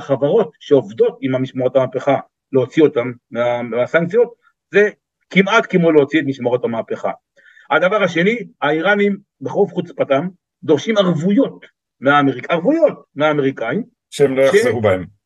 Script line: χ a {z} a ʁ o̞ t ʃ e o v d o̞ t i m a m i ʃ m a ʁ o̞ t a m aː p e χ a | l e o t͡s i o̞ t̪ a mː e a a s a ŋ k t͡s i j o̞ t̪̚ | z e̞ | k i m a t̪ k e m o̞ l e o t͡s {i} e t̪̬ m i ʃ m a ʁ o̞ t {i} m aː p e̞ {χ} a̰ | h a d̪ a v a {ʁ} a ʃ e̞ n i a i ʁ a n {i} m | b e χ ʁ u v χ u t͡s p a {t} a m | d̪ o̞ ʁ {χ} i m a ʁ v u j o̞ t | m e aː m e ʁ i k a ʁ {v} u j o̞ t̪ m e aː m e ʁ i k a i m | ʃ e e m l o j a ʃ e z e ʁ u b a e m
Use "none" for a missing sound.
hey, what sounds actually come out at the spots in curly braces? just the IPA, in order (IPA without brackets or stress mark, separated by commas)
v, i, a, χ, ʁ, i, t, ʃ, v